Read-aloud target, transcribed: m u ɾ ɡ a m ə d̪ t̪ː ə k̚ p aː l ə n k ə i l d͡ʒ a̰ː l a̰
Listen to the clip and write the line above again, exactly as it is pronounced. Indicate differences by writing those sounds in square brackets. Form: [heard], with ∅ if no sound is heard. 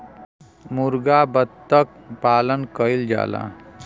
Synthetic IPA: m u ɾ ɡ a [b] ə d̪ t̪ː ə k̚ p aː l ə n k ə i l d͡ʒ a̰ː l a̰